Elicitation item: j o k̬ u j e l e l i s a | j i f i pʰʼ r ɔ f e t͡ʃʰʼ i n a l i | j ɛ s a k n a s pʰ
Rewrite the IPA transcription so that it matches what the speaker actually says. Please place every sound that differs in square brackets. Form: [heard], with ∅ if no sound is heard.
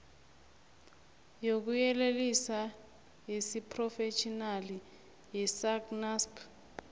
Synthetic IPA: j o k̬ u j [ɛ] l e l i s a | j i [s] i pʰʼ r ɔ f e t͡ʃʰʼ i n a l i | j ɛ s a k n a s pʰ